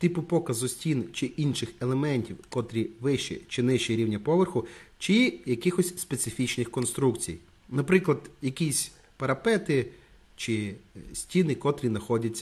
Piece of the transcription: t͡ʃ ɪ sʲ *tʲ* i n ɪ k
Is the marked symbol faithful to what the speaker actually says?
yes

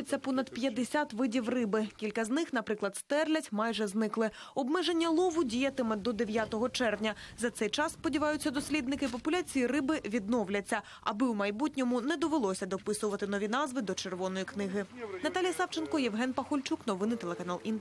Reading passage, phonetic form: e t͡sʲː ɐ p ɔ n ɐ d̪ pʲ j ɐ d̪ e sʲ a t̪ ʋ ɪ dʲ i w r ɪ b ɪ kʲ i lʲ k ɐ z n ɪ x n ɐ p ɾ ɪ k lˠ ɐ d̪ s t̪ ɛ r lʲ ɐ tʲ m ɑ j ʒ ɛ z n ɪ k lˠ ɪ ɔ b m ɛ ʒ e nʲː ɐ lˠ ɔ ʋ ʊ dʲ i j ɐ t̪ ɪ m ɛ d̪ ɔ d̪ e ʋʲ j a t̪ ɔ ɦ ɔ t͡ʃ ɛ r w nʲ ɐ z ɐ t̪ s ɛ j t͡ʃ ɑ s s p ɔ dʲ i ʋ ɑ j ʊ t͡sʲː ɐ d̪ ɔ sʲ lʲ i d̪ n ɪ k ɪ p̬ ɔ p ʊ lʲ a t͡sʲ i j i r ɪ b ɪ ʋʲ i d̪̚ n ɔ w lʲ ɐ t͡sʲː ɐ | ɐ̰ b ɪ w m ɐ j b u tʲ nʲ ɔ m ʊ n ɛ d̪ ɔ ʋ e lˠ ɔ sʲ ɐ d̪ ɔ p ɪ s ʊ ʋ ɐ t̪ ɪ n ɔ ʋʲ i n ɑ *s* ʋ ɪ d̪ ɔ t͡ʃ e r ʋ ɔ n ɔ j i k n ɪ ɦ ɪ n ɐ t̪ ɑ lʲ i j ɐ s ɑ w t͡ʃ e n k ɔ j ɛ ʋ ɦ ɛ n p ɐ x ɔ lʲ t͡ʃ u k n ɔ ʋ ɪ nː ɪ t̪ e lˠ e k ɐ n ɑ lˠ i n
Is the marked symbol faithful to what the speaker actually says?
no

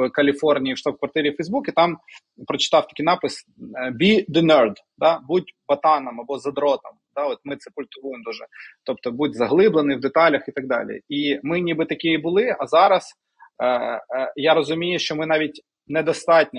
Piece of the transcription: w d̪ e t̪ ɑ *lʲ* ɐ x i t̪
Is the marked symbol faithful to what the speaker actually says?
yes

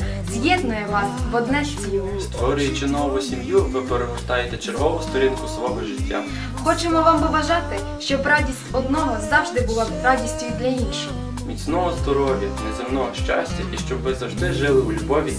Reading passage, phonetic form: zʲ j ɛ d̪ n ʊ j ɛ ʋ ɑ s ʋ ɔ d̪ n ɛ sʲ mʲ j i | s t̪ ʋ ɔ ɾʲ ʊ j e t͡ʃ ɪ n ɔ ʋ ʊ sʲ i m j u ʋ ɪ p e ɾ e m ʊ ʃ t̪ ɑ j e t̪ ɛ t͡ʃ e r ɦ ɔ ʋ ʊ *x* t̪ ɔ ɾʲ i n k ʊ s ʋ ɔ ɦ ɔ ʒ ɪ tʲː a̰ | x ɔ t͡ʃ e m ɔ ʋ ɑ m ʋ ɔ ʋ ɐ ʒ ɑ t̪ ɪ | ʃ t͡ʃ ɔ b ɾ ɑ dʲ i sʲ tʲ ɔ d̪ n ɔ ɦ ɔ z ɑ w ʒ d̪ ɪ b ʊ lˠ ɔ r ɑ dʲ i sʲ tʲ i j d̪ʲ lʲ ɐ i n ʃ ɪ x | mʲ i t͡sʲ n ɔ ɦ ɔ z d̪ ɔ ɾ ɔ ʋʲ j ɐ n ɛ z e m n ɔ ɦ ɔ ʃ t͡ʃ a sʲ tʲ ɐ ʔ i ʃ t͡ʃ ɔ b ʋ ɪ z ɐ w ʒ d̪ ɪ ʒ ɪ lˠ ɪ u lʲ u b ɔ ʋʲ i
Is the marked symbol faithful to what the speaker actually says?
no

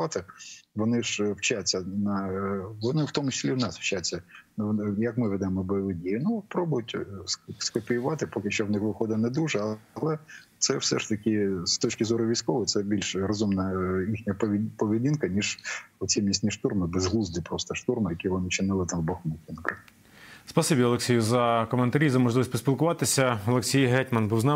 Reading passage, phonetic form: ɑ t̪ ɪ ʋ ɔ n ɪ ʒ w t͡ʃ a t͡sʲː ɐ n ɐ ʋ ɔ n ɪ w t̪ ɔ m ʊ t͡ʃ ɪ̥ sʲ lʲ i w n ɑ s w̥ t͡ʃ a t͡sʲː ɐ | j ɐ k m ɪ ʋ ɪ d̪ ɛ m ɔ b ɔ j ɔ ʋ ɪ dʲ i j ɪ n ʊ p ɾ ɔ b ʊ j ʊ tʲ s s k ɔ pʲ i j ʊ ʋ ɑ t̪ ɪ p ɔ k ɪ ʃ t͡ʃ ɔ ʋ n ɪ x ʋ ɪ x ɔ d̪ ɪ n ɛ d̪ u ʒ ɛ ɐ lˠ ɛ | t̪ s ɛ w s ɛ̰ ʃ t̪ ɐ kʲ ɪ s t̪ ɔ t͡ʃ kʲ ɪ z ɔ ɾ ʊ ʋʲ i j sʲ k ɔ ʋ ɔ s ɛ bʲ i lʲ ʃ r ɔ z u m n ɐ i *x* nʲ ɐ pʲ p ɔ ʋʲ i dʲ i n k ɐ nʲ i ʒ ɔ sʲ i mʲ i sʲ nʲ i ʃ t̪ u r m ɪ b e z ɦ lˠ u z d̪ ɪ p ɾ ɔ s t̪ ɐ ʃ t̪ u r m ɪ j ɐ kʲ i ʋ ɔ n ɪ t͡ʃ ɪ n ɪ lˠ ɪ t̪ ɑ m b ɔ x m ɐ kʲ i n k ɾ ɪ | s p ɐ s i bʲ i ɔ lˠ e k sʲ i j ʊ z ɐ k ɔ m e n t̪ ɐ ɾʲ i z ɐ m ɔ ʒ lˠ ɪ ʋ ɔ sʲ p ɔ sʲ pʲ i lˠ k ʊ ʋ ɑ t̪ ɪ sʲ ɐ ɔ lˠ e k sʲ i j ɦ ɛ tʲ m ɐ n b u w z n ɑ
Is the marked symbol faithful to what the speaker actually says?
yes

